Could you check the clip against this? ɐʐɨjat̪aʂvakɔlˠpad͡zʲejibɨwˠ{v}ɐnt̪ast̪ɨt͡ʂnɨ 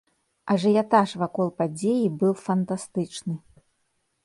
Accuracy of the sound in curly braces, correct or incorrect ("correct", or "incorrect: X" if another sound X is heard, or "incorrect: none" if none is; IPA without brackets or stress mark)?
incorrect: f